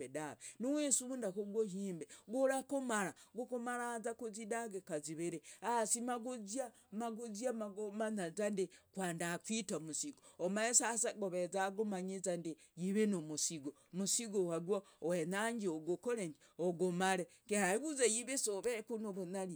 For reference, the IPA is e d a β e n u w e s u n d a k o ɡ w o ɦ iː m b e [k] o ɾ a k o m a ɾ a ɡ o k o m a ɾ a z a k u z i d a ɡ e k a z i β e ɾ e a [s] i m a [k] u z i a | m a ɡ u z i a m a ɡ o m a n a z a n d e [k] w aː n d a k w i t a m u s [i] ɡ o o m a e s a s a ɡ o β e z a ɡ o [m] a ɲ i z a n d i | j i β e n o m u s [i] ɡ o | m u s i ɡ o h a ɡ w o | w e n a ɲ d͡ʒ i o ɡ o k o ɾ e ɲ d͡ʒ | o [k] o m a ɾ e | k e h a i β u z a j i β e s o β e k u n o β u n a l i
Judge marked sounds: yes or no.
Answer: no, yes, no, yes, yes, yes, yes, no

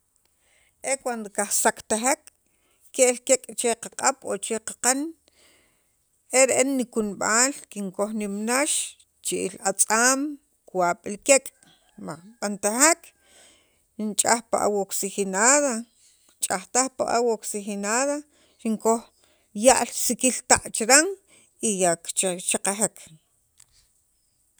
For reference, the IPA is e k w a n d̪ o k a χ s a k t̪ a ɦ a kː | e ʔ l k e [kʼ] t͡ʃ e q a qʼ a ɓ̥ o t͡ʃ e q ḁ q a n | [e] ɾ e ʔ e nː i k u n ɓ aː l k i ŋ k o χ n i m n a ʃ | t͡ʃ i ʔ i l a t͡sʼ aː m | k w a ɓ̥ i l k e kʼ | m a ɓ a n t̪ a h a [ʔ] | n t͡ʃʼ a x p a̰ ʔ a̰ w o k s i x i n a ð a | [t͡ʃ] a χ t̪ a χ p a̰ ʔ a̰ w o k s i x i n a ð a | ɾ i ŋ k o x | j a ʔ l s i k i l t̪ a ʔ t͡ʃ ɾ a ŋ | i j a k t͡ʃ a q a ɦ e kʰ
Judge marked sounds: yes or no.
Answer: yes, yes, no, no

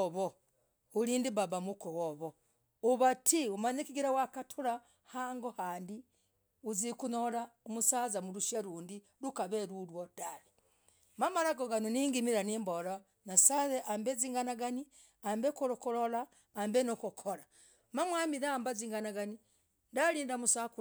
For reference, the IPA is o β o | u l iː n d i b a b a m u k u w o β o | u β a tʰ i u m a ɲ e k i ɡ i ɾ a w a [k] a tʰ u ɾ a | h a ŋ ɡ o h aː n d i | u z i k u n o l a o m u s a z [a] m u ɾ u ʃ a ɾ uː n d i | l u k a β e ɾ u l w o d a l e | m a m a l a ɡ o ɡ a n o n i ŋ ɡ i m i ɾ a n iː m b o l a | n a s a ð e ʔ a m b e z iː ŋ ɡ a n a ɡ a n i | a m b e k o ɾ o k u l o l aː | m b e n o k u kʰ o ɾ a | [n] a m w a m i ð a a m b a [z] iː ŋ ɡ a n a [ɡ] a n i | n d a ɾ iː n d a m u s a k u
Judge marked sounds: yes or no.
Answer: yes, yes, no, yes, yes

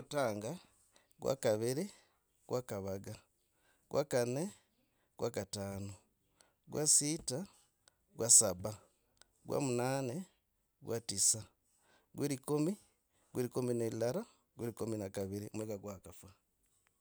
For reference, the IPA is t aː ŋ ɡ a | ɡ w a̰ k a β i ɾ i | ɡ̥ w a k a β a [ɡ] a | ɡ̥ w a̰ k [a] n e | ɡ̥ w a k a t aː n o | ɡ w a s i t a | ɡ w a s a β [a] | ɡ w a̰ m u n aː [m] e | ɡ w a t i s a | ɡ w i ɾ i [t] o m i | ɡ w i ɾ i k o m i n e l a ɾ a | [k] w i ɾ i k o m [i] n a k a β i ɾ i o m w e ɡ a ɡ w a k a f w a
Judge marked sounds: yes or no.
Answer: yes, yes, yes, no, no, no, yes

